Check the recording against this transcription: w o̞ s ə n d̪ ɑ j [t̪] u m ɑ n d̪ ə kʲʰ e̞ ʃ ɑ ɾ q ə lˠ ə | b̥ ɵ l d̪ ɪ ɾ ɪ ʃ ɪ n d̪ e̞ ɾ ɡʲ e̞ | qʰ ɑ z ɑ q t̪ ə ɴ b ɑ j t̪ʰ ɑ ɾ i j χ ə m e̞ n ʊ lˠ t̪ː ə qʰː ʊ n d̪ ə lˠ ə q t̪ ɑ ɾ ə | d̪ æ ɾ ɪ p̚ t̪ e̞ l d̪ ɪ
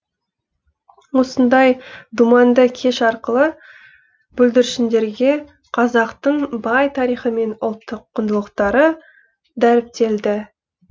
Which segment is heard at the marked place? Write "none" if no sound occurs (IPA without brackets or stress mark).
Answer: d̪